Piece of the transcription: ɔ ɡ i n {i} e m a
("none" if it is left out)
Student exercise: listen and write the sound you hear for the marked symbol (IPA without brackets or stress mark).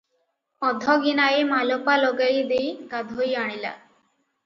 a